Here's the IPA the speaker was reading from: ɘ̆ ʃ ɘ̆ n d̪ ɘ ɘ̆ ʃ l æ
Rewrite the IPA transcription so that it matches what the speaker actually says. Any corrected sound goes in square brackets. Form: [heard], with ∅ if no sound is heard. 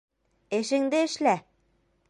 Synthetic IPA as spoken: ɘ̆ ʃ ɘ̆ [ŋ] d̪ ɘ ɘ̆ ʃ l æ